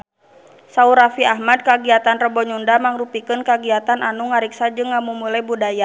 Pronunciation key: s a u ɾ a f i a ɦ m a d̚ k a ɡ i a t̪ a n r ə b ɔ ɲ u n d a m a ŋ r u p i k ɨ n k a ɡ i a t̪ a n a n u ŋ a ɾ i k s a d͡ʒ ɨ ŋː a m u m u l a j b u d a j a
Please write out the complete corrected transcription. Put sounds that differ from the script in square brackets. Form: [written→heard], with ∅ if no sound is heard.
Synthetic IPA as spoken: s a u ɾ a f i a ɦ m a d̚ k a ɡ i a t̪ a n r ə b ɔ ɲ u n d a m a ŋ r u p i k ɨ n k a ɡ i a t̪ a n a n u ŋ a ɾ i k s a d͡ʒ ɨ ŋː a m u m u l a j b u d a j a